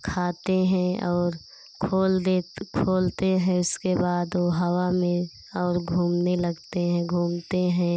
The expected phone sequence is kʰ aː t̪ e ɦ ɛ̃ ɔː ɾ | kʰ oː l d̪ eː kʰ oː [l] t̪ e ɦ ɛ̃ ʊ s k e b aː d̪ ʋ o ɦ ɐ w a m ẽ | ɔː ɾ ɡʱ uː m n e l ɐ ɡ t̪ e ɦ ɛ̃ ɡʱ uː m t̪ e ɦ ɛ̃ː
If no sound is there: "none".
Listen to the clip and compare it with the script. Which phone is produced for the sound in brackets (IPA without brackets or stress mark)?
l